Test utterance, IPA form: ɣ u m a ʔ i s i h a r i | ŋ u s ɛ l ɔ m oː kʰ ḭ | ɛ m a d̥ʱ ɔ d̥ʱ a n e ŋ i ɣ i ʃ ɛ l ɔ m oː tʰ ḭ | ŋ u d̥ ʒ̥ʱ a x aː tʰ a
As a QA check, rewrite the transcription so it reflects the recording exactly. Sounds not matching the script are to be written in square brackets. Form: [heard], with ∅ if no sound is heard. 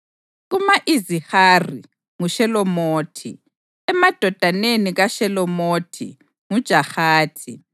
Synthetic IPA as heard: ɣ u m a ʔ i [z] i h a r i | ŋ u [ʃ] ɛ l ɔ m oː [tʰ] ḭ | ɛ m a d̥ʱ ɔ d̥ʱ a n e [n] i ɣ [a] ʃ ɛ l ɔ m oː tʰ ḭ | ŋ u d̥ ʒ̥ʱ a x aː tʰ [i]